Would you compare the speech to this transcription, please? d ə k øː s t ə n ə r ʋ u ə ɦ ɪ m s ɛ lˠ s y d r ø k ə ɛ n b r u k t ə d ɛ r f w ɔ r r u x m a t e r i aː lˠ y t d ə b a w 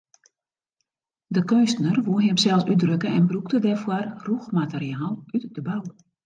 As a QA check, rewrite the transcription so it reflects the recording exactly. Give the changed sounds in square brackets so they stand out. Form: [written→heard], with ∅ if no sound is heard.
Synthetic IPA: d ə k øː s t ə n ə r ʋ u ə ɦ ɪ m s ɛ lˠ s y d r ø k ə ɛ n b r u k t ə d ɛ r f w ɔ r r u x m a t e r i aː lˠ y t d ə b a w